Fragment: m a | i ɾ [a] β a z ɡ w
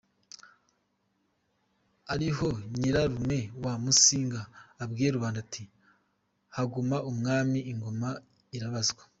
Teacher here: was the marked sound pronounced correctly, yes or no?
yes